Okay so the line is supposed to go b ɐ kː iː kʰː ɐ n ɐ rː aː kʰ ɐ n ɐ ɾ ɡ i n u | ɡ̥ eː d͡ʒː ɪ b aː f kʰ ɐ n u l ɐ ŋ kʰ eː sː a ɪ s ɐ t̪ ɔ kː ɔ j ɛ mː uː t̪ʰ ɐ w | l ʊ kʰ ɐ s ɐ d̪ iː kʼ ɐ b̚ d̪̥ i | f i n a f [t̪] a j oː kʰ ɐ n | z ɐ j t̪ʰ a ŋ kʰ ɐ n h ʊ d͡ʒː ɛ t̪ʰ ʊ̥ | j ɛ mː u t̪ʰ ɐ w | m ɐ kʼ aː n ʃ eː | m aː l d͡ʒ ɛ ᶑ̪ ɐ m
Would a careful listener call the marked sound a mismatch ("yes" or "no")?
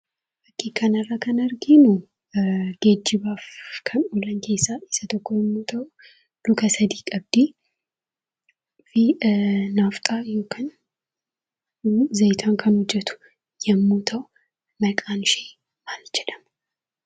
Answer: yes